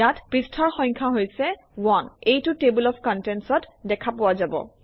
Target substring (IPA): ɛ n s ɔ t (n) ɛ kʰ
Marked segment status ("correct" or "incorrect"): incorrect